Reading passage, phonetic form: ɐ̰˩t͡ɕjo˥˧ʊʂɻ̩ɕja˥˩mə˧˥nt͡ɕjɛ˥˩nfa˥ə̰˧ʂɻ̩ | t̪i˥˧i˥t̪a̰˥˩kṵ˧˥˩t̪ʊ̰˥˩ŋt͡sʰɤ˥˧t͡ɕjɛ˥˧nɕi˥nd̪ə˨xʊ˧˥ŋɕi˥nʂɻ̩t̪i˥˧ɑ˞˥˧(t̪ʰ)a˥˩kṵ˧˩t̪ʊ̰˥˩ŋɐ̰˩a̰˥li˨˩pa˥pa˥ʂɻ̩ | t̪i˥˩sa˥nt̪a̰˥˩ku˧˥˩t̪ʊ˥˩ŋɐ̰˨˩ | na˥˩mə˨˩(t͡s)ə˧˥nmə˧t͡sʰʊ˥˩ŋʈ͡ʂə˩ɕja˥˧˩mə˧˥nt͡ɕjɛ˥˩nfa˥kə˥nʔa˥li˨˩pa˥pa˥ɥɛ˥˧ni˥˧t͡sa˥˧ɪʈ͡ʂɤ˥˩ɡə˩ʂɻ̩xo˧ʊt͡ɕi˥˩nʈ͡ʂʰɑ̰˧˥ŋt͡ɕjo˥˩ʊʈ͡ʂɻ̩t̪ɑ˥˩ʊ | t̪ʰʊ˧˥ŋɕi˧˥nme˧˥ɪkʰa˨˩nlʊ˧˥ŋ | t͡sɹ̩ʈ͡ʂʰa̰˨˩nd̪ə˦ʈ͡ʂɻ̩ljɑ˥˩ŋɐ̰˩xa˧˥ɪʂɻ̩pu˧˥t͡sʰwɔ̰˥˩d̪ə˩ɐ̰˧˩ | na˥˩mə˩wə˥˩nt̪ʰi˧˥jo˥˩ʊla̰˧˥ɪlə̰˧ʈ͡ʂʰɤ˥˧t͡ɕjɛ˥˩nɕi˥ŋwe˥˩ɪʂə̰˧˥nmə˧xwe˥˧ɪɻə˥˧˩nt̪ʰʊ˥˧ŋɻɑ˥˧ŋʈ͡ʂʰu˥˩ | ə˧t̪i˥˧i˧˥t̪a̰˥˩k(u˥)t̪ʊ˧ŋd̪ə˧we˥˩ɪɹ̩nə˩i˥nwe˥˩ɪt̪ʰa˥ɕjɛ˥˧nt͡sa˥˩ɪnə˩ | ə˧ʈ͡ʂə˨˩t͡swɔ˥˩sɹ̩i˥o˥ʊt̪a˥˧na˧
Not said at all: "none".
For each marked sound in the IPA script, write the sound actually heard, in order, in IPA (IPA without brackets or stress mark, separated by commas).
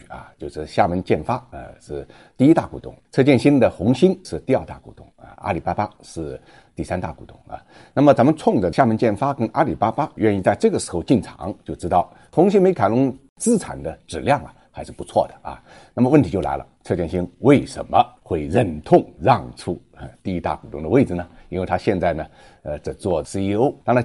t̪, t͡s, u˨˩